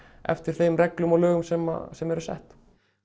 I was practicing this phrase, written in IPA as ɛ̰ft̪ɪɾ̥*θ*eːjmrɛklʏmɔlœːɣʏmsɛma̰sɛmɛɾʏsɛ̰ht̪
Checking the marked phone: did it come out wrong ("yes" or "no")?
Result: no